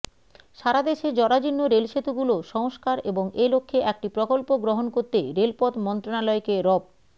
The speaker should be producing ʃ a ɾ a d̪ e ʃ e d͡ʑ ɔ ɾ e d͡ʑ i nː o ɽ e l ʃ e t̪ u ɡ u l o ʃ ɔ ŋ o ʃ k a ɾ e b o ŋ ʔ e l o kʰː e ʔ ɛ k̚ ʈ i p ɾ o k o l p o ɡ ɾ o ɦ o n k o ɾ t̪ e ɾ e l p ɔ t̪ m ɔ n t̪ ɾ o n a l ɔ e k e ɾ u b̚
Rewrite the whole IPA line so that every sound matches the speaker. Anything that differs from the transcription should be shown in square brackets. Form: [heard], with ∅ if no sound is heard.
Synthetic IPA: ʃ a ɾ a d̪ e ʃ e d͡ʑ ɔ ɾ [a] d͡ʑ i nː o [ɾ] e l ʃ e t̪ u ɡ u l o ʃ ɔ ŋ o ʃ k a ɾ e b o ŋ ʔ e l o kʰː e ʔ ɛ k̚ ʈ i p ɾ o k o l p o ɡ ɾ o ɦ o n k o ɾ t̪ e ɾ e l p ɔ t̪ m ɔ n t̪ ɾ o n a l ɔ e k e ɾ [ɔ] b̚